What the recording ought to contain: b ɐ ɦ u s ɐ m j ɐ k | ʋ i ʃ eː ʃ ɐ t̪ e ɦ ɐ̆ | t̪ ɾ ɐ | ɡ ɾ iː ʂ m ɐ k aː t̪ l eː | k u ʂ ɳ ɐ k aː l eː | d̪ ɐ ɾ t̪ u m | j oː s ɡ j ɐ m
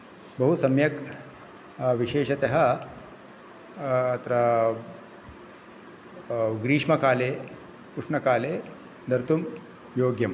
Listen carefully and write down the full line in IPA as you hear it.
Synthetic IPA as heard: b ɐ ɦ u s ɐ m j ɐ k | ʋ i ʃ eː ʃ ɐ t̪ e ɦ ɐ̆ | t̪ ɾ ɐ | ɡ ɾ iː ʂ m ɐ k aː l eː | k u ʂ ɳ ɐ k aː l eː | d̪ ɐ ɾ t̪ u m | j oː ɡ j ɐ m

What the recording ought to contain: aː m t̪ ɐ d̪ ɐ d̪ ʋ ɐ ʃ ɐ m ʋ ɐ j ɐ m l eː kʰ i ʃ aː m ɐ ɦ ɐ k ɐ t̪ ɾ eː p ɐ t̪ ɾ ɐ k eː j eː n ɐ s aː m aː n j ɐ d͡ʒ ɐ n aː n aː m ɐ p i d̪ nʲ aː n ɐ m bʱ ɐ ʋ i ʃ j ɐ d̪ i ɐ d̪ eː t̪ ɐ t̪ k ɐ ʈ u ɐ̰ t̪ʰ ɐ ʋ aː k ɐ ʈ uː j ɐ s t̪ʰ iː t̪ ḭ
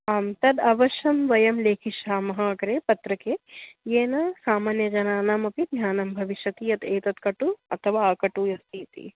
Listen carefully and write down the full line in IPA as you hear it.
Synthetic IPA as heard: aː m t̪ ɐ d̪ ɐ ʋ ɐ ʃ ɐ m ʋ ɐ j ɐ m l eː kʰ i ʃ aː m ɐ ɦ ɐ k ɐ ɾ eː p ɐ t̪ ɾ ɐ k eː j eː n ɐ s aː m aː n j ɐ d͡ʒ ɐ n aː n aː m ɐ p i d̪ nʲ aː n ɐ m bʱ ɐ ʋ i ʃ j ɐ t̪ i ɐ t̪ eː t̪ ɐ t̪ k ɐ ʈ u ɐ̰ t̪ʰ ɐ ʋ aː k ɐ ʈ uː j ɐ s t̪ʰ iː t̪ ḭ

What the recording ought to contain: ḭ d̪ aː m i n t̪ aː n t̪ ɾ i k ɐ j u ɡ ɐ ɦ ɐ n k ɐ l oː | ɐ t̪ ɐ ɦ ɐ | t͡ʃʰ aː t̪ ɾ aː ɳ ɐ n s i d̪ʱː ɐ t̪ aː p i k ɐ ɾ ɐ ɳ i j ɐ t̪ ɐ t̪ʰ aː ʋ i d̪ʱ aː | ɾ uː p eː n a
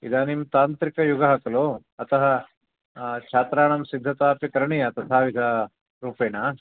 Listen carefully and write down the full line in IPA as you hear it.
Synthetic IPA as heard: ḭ d̪ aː n i m t̪ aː n t̪ ɾ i k ɐ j u ɡ ɐ ɦ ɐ k ɐ l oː | ɐ t̪ ɐ ɦ ɐ | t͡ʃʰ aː t̪ ɾ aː ɳ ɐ m s i d̪ʱː ɐ t̪ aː p i k ɐ ɾ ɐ ɳ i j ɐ t̪ ɐ t̪ʰ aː ʋ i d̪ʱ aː | ɾ uː p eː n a

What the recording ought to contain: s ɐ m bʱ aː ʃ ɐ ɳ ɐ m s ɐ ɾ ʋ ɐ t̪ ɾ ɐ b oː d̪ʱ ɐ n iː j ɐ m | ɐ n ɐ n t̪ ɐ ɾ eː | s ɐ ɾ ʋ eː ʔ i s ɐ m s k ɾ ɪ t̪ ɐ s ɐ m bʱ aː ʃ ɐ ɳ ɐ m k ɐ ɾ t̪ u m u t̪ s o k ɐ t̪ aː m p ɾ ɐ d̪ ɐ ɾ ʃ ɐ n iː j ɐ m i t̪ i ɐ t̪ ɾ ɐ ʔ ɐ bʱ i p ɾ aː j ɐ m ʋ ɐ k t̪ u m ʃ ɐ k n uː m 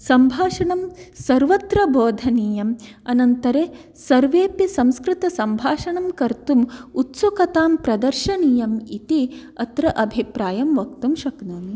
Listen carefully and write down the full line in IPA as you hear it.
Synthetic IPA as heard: s ɐ m bʱ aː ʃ ɐ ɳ ɐ m s ɐ ɾ ʋ ɐ t̪ ɾ ɐ b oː d̪ʱ ɐ n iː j ɐ m | ɐ n ɐ n t̪ ɐ ɾ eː | s ɐ ɾ ʋ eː p i s ɐ m s k ɾ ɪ t̪ ɐ s ɐ m bʱ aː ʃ ɐ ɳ ɐ m k ɐ ɾ t̪ u m u t̪ s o k ɐ t̪ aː m p ɾ ɐ d̪ ɐ ɾ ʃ ɐ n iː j ɐ m i t̪ i ɐ t̪ ɾ ɐ ʔ ɐ bʱ i p ɾ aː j ɐ m ʋ ɐ k t̪ u m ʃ ɐ k n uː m

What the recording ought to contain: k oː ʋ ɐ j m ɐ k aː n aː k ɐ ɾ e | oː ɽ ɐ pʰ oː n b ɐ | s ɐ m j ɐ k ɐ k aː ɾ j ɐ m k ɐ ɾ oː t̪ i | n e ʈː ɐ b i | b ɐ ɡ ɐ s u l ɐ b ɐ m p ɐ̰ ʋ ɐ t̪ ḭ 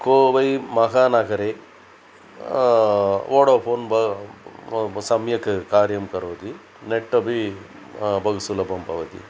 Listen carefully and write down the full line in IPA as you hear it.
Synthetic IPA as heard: k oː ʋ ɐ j m ɐ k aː n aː k ɐ ɾ e | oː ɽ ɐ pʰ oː n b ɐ | s ɐ m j ɐ k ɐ k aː ɾ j ɐ m k ɐ ɾ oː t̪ i | n e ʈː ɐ b i | b ɐ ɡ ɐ s u l ɐ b ɐ m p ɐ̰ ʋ ɐ t̪ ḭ

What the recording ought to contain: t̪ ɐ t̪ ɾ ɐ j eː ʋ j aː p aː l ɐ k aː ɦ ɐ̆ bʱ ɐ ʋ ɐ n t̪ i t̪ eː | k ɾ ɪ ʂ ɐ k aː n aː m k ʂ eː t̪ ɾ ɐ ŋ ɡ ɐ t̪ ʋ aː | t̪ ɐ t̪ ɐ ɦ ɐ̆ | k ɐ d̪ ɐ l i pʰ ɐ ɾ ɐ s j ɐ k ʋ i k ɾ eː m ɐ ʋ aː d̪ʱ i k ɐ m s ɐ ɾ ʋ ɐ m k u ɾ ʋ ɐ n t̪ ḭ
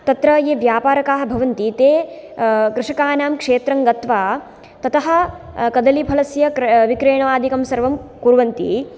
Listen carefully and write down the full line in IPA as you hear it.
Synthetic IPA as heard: t̪ ɐ t̪ ɾ ɐ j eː ʋ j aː p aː ɾ ɐ k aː ɦ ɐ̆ bʱ ɐ ʋ ɐ n t̪ i t̪ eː | k ɾ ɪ ʂ ɐ k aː n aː m k ʂ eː t̪ ɾ ɐ ŋ ɡ ɐ t̪ ʋ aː | t̪ ɐ t̪ ɐ ɦ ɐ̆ | k ɐ d̪ ɐ l i pʰ ɐ l ɐ s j ɐ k ʋ i k ɾ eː ɳ ɐ ʋ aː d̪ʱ i k ɐ m s ɐ ɾ ʋ ɐ m k u ɾ ʋ ɐ n t̪ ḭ

